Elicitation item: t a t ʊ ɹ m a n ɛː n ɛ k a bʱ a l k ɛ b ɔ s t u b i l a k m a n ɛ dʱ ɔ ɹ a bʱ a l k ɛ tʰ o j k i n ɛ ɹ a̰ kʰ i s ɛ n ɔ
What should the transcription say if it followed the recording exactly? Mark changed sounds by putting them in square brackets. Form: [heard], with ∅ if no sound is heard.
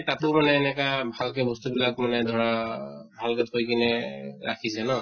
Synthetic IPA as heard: t a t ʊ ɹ m a n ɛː n ɛ k a bʱ a l k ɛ b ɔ s t u b i l a k m a n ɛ dʱ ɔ ɹ a bʱ a l k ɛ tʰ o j k i n ɛ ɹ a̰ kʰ i s ɛ n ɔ